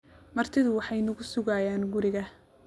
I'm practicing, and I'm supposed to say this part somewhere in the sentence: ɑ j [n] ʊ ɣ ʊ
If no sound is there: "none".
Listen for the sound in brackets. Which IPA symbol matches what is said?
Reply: n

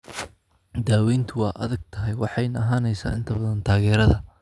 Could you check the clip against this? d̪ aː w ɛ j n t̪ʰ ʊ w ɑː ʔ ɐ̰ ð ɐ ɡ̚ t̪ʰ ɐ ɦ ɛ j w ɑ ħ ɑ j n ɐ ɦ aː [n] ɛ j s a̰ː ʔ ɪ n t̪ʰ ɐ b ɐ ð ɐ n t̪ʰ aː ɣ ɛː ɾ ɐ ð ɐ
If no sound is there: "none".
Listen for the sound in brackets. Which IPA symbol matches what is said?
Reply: n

